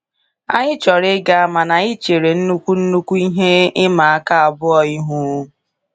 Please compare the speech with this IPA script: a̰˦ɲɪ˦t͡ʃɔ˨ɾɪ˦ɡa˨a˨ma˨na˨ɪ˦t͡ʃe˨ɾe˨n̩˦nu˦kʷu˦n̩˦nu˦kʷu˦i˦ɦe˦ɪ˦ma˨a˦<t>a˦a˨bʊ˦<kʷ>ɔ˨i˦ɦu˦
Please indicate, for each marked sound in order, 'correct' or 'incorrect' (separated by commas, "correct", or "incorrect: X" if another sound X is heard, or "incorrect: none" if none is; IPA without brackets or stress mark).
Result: incorrect: k, incorrect: none